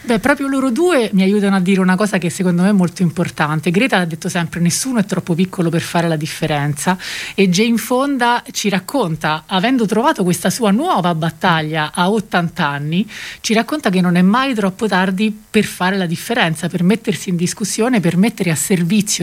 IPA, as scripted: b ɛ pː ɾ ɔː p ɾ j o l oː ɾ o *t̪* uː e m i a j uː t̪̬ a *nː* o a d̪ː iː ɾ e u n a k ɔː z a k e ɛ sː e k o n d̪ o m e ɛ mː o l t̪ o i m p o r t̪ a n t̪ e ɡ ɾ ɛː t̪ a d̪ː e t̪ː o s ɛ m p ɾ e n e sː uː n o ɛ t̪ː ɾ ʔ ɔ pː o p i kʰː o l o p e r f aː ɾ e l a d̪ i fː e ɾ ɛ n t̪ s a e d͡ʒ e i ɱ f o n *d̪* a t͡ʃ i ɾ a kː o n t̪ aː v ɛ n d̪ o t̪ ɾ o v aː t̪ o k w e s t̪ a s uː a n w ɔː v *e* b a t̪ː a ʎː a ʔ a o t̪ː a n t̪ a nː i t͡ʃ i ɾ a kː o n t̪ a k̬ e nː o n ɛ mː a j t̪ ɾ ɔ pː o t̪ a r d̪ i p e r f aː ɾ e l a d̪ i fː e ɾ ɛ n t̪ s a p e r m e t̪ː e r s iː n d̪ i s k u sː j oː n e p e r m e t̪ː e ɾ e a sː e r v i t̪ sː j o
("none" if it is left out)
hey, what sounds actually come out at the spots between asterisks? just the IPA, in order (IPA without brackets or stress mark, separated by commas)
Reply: d̪, n, d̪, a